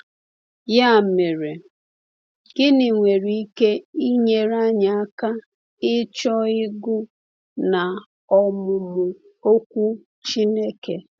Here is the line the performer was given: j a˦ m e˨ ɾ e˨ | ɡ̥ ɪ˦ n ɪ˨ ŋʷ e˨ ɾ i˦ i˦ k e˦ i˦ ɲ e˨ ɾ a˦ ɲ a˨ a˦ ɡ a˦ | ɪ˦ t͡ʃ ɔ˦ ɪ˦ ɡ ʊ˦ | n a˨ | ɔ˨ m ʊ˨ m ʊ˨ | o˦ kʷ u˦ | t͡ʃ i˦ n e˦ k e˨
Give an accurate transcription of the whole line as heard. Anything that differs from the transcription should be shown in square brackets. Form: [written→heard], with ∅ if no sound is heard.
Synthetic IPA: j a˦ m e˨ ɾ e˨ | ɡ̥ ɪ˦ n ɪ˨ ŋʷ e˨ ɾ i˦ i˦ k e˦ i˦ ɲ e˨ ɾ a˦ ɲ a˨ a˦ [ɡ→k] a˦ | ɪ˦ t͡ʃ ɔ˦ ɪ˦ ɡ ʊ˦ | n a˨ | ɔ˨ m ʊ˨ m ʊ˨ | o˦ kʷ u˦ | t͡ʃ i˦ n e˦ k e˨